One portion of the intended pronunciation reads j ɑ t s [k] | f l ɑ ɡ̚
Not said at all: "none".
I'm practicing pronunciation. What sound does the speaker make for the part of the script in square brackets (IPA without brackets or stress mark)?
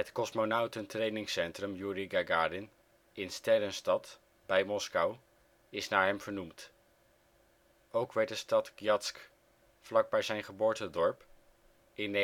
k